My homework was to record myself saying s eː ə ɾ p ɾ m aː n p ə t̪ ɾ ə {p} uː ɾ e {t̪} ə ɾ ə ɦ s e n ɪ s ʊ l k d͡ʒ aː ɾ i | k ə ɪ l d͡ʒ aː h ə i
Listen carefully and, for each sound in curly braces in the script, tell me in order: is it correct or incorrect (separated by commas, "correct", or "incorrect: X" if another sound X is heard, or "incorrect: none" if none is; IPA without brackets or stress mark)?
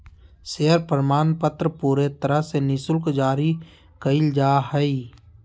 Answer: correct, correct